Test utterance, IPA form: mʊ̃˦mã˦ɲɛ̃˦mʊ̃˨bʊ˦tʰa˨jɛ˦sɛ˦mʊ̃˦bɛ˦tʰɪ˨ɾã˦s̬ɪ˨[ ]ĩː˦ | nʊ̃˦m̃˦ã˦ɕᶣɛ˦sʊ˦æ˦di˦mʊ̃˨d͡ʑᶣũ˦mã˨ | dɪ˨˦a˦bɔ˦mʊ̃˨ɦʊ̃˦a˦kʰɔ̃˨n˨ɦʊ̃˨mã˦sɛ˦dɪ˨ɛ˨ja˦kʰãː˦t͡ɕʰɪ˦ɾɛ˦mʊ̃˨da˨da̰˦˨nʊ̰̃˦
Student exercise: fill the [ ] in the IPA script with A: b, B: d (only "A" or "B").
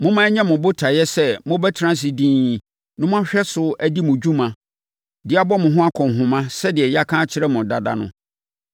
B